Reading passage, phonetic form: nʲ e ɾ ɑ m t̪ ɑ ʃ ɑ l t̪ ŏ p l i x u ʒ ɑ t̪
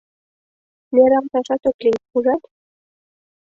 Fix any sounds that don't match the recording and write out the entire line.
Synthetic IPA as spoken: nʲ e ɾ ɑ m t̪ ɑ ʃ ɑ t̪ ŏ k l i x u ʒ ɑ t̪